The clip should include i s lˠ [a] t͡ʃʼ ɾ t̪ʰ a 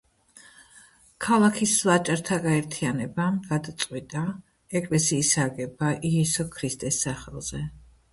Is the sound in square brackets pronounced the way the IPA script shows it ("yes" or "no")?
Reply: yes